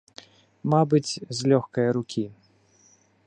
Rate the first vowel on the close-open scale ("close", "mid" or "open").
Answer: open